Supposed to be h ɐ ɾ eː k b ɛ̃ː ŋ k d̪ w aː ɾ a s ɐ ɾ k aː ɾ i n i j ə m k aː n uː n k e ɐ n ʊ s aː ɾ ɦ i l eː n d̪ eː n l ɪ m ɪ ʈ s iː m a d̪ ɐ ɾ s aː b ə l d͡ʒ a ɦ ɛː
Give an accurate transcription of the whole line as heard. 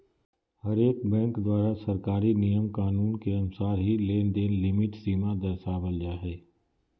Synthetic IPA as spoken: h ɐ ɾ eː k b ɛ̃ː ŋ k d̪ w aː ɾ a s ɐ ɾ k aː ɾ i n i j ə m k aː n uː n k e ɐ n ʊ s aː ɾ ɦ i l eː n d̪ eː n l ɪ m ɪ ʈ s iː m a d̪ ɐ ɾ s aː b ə l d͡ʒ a ɦ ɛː